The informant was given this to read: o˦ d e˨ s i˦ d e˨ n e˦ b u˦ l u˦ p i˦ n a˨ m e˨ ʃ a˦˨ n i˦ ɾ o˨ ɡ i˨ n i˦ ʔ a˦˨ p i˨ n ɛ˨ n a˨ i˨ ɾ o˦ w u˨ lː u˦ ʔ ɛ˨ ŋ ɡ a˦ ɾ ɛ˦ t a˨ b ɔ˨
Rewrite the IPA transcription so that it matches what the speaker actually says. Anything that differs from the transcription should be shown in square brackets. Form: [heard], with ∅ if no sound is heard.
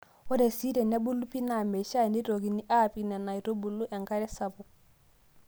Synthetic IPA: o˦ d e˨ s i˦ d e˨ n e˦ b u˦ l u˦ p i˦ n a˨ m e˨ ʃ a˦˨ n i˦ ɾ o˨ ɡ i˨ n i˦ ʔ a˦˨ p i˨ n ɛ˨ n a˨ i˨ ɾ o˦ [b] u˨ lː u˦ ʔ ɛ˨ ŋ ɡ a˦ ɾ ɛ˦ [s] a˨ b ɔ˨